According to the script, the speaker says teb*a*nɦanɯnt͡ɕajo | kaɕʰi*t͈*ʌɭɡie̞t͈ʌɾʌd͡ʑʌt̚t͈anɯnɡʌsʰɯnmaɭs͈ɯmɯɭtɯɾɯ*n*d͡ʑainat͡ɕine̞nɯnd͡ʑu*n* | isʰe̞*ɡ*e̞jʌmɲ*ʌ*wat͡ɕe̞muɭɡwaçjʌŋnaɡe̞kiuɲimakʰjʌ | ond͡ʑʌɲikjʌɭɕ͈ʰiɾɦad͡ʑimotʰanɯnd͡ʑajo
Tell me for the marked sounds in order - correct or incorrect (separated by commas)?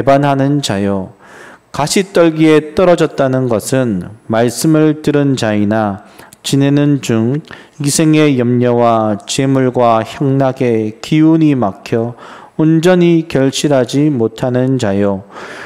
correct, correct, correct, incorrect, incorrect, correct